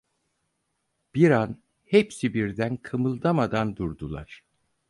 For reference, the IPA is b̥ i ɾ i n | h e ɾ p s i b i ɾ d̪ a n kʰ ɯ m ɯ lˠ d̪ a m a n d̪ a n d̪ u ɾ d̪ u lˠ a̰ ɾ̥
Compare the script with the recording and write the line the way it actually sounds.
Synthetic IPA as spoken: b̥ i ɾ a n | h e p s i b i ɾ d̪ æ n kʰ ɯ m ɯ lˠ d̪ a m a d̪ a n d̪ u ɾ d̪ u lˠ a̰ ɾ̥